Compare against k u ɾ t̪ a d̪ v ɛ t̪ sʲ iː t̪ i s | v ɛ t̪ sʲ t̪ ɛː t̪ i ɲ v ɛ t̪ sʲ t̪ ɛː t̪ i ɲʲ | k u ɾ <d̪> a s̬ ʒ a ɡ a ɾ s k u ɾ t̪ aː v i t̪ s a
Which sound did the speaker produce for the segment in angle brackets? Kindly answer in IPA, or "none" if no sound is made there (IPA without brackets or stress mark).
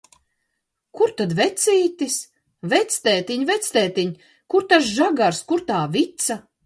t̪